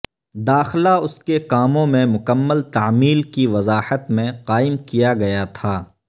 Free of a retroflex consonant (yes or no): yes